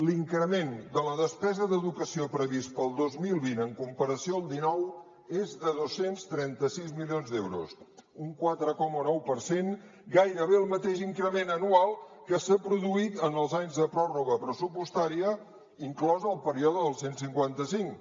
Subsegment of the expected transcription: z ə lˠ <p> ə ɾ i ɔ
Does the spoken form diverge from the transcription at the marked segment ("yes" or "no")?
no